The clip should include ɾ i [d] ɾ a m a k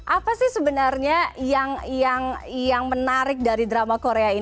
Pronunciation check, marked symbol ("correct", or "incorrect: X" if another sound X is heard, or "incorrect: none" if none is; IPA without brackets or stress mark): correct